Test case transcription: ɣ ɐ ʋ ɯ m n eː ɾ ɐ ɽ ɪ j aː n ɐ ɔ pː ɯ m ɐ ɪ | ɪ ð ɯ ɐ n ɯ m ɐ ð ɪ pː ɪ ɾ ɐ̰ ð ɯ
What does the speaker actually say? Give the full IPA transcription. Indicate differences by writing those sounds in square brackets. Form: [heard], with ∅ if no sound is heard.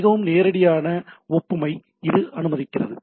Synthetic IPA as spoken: ɣ ɐ ʋ ɯ m n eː ɾ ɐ ɽ ɪ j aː n ɐ ɔ pː ɯ m ɐ ɪ | ɪ ð ɯ ɐ n ɯ m ɐ ð ɪ [kː] ɪ [r] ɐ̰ ð ɯ